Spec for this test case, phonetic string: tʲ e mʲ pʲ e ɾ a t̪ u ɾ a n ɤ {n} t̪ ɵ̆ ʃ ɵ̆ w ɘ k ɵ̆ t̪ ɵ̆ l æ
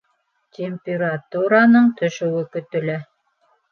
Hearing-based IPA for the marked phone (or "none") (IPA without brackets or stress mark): ɴ